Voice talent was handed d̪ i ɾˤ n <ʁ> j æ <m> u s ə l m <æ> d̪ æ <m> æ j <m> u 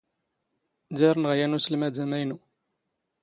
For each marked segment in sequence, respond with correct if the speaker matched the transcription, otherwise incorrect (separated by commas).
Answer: correct, incorrect, correct, correct, incorrect